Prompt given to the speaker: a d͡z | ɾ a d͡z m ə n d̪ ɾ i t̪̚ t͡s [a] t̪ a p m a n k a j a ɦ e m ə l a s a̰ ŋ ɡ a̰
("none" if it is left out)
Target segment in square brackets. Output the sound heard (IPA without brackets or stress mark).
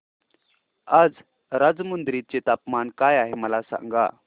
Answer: e